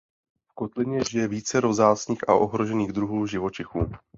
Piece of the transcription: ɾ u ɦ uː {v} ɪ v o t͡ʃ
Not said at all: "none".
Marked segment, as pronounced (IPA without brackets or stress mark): ʒ